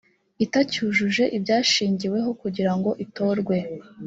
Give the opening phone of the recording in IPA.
i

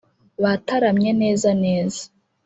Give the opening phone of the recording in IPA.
β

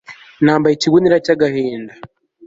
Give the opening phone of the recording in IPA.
n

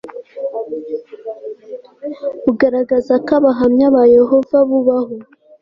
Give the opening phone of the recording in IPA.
u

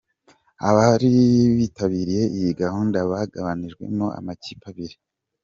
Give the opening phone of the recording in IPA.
a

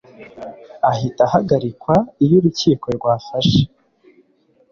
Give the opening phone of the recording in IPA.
a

